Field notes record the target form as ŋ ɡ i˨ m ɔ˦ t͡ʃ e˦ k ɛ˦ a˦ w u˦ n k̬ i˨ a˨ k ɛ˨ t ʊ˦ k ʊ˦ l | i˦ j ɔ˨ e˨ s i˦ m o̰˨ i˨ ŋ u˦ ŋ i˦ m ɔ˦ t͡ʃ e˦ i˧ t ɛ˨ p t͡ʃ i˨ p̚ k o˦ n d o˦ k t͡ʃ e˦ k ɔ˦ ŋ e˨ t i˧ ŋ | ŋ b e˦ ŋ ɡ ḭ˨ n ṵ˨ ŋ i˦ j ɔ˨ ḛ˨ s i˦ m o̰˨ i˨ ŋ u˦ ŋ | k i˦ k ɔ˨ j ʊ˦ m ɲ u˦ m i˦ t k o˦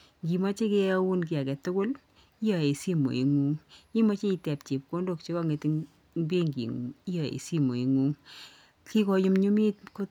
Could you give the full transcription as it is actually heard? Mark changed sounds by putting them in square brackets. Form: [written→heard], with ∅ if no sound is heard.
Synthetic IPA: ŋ ɡ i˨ m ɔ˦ t͡ʃ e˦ k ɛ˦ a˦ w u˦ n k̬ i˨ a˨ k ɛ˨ t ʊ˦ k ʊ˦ l | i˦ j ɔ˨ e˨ s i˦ m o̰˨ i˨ ŋ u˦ ŋ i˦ m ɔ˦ t͡ʃ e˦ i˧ t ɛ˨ p t͡ʃ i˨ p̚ k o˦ n d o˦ k t͡ʃ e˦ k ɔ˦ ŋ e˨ t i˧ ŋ | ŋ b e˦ ŋ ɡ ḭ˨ [n→ŋ] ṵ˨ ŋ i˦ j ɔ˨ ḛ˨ s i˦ m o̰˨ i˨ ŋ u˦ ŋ | k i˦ k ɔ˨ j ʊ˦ m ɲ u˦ m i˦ t k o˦